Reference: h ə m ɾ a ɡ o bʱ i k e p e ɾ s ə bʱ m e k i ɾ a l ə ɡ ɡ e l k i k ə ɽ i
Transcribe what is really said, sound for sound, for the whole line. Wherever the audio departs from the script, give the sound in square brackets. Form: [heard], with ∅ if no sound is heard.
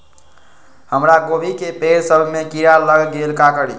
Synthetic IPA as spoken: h ə m ɾ a ɡ o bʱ i k e p e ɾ s ə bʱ m e k i ɾ a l ə ɡ ɡ e l k [a] k ə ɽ i